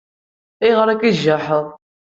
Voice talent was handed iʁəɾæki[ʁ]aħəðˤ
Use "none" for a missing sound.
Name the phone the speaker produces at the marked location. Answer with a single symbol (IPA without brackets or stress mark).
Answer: ʒ